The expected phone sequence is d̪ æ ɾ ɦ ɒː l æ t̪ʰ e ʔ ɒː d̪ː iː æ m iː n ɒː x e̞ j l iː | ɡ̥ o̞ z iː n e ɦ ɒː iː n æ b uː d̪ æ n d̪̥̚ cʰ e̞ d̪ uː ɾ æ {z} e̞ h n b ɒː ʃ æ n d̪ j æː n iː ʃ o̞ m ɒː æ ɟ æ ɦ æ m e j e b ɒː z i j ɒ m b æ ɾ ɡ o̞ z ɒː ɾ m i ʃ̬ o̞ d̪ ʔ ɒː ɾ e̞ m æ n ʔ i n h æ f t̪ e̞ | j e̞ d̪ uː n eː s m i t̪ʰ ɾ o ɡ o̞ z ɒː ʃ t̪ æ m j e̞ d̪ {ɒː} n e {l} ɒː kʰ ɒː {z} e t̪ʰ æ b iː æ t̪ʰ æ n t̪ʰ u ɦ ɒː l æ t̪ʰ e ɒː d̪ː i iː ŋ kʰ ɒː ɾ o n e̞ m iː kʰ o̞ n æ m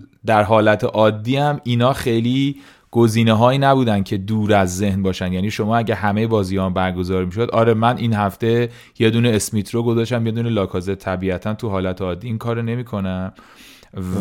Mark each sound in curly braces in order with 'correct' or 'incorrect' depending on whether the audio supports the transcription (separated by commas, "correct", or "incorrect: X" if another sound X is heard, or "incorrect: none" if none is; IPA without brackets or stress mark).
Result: incorrect: zː, incorrect: uː, correct, correct